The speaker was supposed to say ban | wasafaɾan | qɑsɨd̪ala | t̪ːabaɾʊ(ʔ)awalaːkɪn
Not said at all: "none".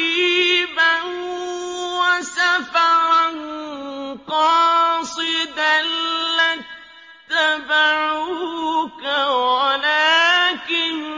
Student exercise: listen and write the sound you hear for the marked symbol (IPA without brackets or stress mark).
k